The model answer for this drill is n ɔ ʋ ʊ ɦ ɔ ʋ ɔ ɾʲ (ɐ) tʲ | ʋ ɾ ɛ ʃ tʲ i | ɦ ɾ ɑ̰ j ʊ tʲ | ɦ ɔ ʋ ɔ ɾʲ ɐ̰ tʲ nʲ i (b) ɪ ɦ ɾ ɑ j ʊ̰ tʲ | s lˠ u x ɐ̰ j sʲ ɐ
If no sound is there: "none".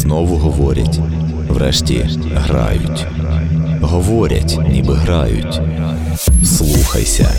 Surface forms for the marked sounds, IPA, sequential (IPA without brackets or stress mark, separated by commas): ɐ, b